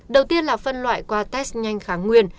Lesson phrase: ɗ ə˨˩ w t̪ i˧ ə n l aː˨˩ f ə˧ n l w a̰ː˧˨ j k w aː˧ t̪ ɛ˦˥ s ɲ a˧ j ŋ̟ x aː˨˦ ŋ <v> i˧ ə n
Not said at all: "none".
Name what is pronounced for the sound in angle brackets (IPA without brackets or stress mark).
w